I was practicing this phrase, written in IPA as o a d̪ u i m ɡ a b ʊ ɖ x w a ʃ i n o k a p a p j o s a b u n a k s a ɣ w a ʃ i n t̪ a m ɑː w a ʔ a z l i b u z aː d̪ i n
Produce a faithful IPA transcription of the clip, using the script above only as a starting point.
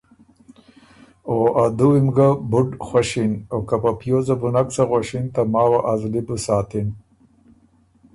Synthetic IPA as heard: o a d̪ u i m ɡ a b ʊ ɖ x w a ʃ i n o k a p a p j o z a b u n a k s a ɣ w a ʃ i n t̪ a m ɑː w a ʔ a z l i b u s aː t̪ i n